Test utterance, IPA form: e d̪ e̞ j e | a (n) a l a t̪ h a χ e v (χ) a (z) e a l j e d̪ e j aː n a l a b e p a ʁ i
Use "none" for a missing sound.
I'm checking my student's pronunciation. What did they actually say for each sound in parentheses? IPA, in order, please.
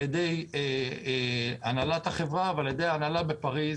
n, ʁ, v

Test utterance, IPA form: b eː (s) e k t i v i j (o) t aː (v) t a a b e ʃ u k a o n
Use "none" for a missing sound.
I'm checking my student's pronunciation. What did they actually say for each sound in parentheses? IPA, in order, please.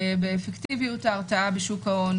f, u, ʁ

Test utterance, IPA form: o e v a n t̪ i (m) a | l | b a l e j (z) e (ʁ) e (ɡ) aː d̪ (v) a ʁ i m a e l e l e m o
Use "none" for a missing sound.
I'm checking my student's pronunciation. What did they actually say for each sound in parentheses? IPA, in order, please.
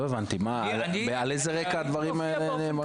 m, z, ʁ, k, v

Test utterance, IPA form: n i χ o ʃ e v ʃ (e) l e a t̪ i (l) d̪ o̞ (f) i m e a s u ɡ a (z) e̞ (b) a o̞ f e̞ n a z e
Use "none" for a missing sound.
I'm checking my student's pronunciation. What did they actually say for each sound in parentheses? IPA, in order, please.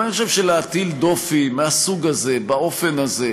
e, l, f, z, b

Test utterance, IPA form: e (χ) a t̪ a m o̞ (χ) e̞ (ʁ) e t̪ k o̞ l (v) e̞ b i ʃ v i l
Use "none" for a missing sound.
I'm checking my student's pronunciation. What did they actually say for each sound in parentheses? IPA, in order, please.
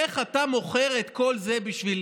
χ, χ, ʁ, z

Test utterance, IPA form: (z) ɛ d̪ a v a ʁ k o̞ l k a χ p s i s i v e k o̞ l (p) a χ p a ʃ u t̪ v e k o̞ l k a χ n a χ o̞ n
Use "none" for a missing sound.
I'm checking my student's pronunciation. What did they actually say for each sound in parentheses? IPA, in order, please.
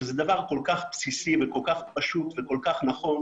z, k

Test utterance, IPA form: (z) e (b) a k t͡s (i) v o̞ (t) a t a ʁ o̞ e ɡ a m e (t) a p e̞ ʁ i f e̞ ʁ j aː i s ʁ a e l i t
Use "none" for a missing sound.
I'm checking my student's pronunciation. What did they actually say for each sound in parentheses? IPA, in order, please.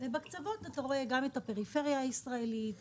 v, b, a, t, t

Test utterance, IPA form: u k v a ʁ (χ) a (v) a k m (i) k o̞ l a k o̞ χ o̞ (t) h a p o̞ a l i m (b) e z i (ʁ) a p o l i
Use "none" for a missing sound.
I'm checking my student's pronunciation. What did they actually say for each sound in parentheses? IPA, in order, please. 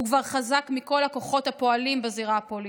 χ, z, i, t, b, ʁ

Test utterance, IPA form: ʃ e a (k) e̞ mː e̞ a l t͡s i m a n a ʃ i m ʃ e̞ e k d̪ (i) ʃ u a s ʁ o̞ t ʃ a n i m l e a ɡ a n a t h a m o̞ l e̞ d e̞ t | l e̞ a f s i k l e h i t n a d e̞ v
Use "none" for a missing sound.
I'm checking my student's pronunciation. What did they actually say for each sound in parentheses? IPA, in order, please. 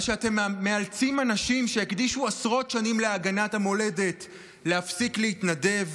t, i

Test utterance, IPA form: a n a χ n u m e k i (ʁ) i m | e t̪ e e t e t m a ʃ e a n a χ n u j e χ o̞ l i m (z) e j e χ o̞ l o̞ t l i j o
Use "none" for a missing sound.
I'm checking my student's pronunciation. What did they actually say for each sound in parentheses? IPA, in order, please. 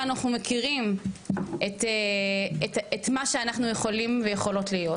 ʁ, v

